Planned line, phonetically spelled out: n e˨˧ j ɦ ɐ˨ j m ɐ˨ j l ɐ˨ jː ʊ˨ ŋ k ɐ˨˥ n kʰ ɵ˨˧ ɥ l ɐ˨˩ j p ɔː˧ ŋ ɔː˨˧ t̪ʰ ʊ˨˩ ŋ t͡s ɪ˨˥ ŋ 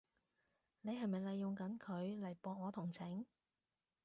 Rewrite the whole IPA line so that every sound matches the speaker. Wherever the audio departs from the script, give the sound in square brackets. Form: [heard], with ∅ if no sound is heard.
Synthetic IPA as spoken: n e˨˧ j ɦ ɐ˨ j m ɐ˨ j l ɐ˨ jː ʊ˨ ŋ k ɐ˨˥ n kʰ ɵ˨˧ ɥ l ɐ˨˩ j p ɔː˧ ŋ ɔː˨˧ t̪ʰ ʊ˨˩ ŋ [t͡sʰ] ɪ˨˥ ŋ

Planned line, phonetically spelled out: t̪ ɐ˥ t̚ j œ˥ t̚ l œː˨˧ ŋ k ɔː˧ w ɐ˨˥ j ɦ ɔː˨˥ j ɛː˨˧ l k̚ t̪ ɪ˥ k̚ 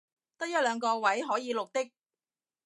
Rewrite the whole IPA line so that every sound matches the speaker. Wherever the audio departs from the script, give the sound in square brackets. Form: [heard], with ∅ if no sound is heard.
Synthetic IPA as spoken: t̪ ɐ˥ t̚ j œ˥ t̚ l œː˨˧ ŋ k ɔː˧ w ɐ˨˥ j ɦ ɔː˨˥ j [iː˨˧] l k̚ t̪ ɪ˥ k̚

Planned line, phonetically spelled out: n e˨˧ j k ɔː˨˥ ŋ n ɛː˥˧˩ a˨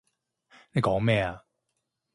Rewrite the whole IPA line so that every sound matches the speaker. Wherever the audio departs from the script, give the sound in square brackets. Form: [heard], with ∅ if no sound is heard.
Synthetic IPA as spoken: n e˨˧ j k ɔː˨˥ ŋ [m] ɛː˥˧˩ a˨

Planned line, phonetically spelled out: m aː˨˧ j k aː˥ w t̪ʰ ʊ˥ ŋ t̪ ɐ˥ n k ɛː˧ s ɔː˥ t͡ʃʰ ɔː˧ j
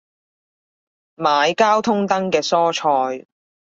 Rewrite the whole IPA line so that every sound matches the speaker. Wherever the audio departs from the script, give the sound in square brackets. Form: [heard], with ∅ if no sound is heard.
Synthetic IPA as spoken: m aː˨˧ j k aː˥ w t̪ʰ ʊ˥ ŋ t̪ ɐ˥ [ŋ] k ɛː˧ s ɔː˥ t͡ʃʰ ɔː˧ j

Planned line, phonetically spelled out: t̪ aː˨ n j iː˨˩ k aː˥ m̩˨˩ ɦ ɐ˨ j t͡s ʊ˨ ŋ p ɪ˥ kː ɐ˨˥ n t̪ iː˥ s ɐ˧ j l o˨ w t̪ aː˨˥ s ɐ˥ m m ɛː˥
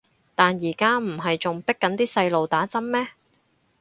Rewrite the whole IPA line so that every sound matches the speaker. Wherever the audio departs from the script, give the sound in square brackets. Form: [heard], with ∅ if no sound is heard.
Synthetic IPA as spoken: t̪ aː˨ n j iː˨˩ k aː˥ m̩˨˩ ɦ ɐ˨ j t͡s ʊ˨ ŋ p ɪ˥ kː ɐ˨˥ n t̪ iː˥ s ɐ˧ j l o˨ w t̪ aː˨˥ [t͡s] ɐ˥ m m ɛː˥

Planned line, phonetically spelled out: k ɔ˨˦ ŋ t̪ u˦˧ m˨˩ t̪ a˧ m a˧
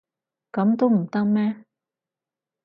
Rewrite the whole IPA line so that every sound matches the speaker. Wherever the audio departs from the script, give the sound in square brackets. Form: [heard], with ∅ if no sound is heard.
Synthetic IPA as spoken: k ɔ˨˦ [m] t̪ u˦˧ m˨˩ t̪ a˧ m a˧

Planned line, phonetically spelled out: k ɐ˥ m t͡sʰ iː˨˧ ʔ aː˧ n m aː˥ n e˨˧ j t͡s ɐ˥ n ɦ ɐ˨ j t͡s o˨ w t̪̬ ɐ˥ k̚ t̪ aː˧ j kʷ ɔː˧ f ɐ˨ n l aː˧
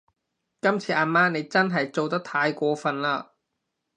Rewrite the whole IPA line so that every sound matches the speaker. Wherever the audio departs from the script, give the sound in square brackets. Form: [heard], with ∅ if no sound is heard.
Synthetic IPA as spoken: k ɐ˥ m t͡sʰ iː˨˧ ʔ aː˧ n m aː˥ n e˨˧ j t͡s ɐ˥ n ɦ ɐ˨ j t͡s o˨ w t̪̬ ɐ˥ k̚ [t̪ʰ] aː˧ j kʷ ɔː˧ f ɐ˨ n l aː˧

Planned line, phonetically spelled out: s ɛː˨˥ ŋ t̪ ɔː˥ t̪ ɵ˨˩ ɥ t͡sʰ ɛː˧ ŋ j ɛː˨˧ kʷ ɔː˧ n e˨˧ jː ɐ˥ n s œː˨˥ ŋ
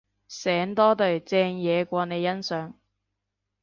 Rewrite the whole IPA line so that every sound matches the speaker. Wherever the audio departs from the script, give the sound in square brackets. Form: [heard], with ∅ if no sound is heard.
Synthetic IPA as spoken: s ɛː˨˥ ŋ t̪ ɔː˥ t̪ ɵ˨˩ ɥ [t͡s] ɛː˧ ŋ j ɛː˨˧ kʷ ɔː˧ n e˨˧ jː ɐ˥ n s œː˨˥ ŋ

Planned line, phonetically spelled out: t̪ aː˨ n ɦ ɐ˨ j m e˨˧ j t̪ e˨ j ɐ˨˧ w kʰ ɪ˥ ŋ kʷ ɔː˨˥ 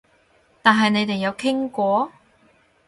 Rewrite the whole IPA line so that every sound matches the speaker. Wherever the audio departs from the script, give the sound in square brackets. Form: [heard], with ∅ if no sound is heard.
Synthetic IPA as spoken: t̪ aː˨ n ɦ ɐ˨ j [n] e˨˧ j t̪ e˨ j ɐ˨˧ w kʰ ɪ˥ ŋ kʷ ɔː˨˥

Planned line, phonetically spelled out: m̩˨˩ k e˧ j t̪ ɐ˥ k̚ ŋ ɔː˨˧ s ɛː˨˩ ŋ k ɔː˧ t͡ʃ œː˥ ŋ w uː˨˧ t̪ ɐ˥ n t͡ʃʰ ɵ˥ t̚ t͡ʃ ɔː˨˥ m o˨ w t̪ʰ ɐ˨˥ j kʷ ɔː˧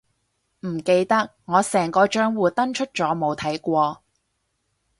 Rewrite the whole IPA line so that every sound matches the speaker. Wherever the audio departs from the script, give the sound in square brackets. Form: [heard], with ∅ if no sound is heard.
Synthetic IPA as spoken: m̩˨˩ k e˧ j t̪ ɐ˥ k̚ ŋ ɔː˨˧ s ɛː˨˩ ŋ k ɔː˧ t͡ʃ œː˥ ŋ w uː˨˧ t̪ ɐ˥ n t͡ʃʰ ɵ˥ t̚ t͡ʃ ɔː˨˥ m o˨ w t̪ʰ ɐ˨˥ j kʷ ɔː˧

